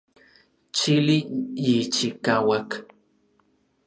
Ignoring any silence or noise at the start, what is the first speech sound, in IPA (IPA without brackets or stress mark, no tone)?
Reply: t͡ʃ